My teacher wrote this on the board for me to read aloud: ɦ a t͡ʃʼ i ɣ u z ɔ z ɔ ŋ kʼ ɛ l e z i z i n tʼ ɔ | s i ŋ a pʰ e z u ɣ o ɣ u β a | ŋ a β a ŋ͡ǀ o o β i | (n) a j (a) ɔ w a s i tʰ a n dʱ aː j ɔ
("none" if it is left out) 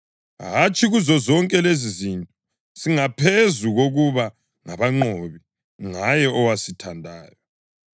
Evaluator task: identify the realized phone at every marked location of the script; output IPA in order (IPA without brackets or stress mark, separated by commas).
ŋ, ɛ